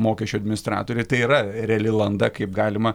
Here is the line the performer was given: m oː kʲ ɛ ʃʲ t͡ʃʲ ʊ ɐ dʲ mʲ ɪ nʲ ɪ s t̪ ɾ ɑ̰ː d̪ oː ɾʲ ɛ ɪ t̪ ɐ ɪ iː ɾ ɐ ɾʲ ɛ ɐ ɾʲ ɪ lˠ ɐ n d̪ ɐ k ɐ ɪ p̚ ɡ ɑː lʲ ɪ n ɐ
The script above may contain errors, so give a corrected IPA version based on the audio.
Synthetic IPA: m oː kʲ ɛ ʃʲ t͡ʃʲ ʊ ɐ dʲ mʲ ɪ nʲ ɪ s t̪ ɾ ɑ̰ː t̪ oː ɾʲ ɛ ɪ t̪ ɐ ɪ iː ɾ ɐ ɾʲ ɛ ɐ lʲ ɪ lˠ ɐ n d̪ ɐ k ɐ ɪ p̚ ɡ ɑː lʲ ɪ m ɐ